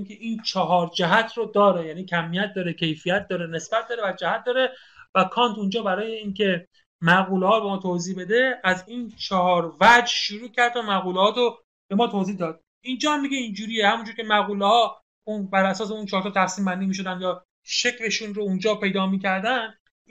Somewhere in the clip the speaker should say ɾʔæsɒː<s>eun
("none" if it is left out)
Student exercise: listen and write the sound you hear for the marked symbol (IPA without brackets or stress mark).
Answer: s